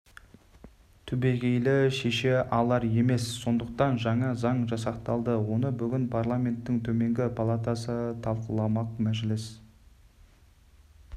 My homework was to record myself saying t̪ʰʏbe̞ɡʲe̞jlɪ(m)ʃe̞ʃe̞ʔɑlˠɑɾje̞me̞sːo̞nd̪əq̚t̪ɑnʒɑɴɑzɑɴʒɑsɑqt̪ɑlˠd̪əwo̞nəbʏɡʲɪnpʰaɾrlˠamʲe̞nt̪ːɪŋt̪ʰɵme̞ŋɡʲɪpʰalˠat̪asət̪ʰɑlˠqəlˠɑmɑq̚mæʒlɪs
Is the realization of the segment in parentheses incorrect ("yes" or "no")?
yes